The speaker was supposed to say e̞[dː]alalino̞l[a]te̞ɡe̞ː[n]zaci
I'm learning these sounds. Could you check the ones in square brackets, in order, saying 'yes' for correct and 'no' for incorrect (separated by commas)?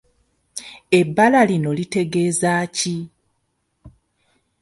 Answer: no, no, no